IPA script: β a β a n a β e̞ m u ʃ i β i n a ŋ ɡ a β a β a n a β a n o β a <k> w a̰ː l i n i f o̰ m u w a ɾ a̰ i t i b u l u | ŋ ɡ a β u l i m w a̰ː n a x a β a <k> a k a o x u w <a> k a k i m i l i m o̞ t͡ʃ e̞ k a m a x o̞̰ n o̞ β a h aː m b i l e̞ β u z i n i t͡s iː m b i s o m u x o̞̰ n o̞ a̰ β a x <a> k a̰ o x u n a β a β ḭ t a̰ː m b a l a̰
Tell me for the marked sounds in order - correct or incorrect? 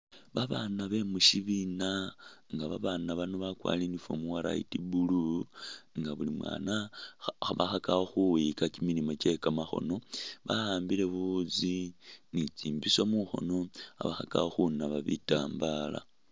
correct, incorrect: x, incorrect: i, correct

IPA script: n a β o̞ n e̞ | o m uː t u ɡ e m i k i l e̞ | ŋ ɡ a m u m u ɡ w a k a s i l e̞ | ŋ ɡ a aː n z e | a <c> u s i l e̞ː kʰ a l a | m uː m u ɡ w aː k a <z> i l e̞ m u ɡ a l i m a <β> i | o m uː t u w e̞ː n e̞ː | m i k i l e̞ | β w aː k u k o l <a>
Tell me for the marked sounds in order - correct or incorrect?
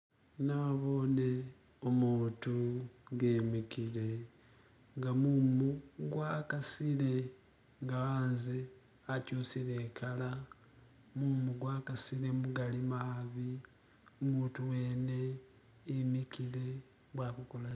correct, incorrect: s, correct, correct

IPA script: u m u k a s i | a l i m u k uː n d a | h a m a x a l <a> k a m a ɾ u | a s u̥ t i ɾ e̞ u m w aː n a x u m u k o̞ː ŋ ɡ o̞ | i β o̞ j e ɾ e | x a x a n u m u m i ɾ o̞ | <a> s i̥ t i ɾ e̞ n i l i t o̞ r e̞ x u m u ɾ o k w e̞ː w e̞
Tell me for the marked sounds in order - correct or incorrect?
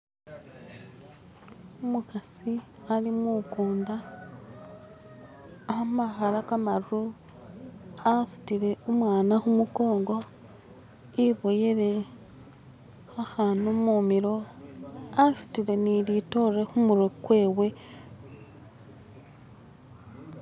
correct, correct

